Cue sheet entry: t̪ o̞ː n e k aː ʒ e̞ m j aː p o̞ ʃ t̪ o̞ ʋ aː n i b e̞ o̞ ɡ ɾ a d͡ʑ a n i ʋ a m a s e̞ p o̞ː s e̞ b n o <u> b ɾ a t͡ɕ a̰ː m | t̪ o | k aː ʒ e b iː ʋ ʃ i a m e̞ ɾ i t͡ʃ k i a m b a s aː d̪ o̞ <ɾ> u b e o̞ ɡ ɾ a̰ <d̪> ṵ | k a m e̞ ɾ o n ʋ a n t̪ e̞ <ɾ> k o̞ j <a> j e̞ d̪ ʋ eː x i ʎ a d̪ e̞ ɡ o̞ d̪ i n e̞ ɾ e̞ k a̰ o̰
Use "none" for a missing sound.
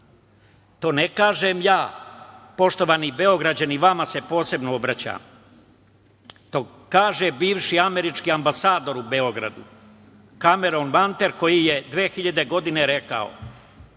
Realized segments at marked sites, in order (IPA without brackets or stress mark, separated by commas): o, ɾ, d̪, ɾ, i